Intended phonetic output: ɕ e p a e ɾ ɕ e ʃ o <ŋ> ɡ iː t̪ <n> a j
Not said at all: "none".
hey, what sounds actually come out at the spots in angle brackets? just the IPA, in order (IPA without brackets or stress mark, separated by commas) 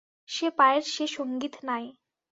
ŋ, n